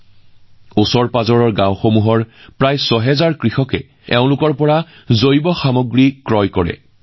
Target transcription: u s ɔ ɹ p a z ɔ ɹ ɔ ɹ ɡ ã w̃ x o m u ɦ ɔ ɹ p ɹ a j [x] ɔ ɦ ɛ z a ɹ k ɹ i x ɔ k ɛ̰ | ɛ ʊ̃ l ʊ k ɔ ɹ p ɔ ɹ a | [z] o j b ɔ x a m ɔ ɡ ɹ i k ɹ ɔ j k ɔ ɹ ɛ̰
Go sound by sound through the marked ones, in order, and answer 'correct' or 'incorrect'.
incorrect, correct

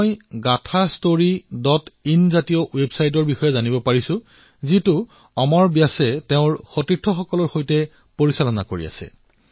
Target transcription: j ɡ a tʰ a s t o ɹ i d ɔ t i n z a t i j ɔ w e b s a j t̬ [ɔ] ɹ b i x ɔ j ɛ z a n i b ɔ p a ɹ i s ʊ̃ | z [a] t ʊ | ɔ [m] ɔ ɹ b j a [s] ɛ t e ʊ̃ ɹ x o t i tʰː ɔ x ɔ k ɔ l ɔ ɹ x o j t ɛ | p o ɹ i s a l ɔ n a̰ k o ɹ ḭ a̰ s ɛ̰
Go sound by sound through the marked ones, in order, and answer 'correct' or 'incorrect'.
correct, incorrect, correct, correct

